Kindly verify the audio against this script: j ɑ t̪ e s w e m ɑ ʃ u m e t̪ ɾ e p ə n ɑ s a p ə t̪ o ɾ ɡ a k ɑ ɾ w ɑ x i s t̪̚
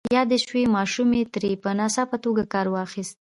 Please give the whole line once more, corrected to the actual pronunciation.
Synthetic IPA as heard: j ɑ d̪ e ʃ w e m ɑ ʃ u m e t̪ ɾ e p ə n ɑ s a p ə t̪ o ɡ a k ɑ ɾ w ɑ x i s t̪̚